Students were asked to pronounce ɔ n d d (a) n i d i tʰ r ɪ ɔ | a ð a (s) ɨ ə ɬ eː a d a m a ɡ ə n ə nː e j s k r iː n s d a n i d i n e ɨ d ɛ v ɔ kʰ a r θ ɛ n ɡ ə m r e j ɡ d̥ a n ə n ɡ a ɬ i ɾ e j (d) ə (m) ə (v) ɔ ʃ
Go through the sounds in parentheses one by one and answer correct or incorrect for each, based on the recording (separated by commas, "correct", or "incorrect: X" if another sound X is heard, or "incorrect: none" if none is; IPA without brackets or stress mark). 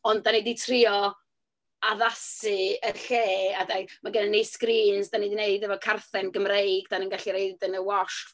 correct, correct, correct, incorrect: n, incorrect: w